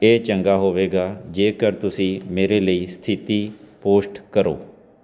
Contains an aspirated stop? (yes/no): yes